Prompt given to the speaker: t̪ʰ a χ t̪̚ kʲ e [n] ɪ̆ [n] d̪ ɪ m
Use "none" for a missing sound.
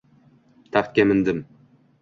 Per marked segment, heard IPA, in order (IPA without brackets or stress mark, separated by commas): m, n